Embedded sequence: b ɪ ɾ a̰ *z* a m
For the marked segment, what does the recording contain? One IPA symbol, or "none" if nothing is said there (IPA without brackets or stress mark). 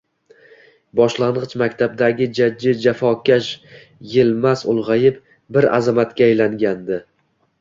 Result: z